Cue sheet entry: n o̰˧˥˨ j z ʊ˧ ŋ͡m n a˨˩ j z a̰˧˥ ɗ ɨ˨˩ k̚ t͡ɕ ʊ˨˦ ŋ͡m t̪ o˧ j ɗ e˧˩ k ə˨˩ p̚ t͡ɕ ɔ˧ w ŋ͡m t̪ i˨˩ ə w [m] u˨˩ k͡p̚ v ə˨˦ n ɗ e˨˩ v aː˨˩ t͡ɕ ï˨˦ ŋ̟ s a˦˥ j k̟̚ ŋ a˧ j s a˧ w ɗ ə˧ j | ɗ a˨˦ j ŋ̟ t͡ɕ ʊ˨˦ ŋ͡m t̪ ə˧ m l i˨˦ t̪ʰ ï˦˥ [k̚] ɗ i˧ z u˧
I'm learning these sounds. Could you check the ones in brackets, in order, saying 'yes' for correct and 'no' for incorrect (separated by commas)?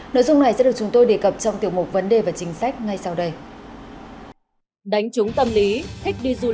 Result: yes, yes